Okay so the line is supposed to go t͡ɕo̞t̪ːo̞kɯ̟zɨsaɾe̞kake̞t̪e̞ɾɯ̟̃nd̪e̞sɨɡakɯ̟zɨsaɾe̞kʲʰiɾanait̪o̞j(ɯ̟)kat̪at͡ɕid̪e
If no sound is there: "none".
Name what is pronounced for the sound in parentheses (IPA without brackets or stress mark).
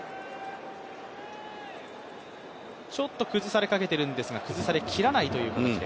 ɯ̟ː